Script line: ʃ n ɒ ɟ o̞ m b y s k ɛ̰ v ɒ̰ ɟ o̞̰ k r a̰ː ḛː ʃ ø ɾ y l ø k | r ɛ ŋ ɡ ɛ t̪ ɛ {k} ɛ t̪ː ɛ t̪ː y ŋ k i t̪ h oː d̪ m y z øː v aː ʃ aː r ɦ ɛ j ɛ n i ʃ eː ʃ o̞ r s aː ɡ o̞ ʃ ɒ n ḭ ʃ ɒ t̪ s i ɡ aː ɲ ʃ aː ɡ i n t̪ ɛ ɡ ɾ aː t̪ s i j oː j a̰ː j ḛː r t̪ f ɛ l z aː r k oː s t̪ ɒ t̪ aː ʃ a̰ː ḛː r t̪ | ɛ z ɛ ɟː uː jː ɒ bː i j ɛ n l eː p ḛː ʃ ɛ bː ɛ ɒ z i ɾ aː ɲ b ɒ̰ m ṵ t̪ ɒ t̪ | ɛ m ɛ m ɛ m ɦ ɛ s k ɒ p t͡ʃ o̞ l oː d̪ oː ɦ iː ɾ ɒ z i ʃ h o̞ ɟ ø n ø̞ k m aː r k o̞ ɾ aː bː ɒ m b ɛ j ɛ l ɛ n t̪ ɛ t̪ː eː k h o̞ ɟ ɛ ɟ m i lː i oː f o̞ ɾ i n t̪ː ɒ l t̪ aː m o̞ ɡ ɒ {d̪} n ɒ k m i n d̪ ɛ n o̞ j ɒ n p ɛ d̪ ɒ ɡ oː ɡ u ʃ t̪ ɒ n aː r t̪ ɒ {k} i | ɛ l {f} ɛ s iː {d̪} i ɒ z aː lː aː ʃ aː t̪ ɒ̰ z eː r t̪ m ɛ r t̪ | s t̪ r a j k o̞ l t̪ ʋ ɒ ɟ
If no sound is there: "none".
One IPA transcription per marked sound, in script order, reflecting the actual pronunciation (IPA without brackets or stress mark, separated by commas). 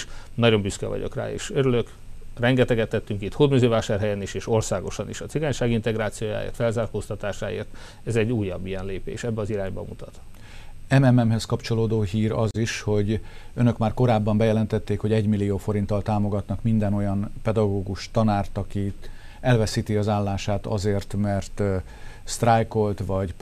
ɡ, t̪, k, v, t̪